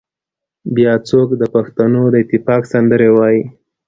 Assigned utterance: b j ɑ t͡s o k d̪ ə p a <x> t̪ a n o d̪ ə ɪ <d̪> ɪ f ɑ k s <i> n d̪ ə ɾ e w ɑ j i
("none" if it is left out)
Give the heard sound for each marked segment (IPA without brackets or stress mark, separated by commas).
x, t̪, a